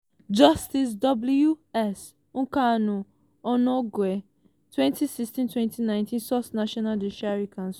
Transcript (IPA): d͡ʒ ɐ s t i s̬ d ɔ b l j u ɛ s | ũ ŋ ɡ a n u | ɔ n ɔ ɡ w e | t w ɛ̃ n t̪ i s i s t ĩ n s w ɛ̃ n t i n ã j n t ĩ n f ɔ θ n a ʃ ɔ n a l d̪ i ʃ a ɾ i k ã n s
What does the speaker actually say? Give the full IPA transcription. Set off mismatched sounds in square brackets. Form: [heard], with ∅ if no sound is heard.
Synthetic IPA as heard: d͡ʒ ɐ s t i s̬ d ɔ b l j u ɛ s | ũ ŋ [k] a n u | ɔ n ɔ ɡ w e | t w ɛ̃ n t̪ i s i s t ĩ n [t] w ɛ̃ n t i n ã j n t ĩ n [s] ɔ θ n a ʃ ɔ n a l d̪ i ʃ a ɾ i k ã n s